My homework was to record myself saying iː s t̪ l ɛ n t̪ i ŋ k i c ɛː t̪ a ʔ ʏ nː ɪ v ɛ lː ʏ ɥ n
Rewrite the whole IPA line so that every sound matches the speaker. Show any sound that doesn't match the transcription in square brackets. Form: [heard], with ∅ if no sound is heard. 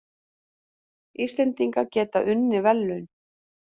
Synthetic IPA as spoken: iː s t̪ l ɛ n t̪ i ŋ k [a] c ɛː t̪ a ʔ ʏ nː ɪ v ɛ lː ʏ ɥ n